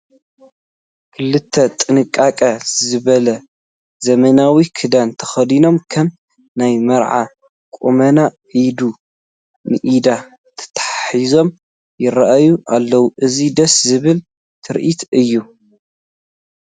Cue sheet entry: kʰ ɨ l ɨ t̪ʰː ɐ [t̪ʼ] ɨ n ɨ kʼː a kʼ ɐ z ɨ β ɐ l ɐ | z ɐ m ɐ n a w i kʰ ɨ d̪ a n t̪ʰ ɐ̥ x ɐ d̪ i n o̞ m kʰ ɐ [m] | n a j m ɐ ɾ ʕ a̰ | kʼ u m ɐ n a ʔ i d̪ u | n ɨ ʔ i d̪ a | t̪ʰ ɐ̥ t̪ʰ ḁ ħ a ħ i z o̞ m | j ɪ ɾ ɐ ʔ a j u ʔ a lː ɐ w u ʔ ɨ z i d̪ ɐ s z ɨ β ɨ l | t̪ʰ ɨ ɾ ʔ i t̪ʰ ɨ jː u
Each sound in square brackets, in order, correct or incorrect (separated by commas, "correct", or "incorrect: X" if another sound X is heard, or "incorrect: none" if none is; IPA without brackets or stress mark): correct, correct